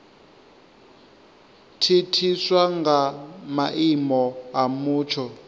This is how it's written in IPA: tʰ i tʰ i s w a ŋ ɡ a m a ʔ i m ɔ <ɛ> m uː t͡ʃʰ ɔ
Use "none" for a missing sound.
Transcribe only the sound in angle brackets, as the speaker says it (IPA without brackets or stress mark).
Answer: a